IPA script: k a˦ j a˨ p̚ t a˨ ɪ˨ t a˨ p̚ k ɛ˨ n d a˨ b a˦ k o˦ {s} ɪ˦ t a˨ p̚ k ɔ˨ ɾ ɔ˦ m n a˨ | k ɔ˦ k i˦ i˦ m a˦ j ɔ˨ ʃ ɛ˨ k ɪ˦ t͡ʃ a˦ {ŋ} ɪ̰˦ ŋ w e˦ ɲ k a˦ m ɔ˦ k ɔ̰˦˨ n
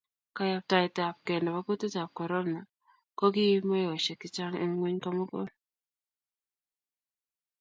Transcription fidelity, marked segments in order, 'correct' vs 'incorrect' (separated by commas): incorrect, correct